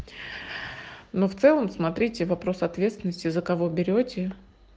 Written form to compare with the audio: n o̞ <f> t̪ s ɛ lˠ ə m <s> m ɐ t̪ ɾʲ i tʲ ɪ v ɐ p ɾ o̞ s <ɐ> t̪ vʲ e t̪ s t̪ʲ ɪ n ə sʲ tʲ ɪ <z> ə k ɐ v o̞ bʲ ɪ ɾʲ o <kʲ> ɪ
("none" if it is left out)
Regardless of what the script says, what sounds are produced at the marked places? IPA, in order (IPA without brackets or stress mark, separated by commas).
f, s, ɐ, z, tʲ